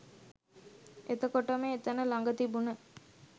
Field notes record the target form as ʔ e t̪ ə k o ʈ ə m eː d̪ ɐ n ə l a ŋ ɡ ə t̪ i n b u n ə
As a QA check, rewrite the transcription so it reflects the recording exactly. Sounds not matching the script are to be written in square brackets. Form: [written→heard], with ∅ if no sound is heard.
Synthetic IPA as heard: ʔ e t̪ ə k o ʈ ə m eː [d̪→t̪] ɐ n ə l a ŋ ɡ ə t̪ i [n→∅] b u n ə